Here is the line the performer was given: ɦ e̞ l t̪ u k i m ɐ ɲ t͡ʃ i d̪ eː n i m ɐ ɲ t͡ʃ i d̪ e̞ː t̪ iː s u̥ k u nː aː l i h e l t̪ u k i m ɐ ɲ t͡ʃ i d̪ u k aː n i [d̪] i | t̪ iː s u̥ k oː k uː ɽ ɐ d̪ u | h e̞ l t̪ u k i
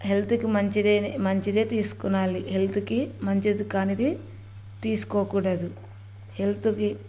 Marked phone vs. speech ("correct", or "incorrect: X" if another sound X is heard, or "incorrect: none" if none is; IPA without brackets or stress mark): correct